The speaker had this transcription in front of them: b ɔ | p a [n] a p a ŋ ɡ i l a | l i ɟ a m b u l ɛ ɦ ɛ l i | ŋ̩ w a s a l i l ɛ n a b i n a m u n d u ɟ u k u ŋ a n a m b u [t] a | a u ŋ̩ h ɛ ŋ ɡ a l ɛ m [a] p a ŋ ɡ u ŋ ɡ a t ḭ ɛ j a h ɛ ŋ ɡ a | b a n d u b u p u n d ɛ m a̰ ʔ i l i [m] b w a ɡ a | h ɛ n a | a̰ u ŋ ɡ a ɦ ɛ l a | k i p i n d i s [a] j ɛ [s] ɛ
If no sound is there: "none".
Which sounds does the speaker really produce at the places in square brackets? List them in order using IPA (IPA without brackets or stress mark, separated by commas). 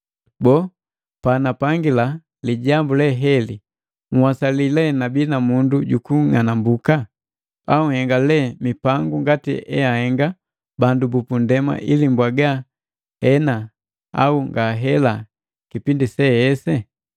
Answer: n, k, i, m, ɛ, s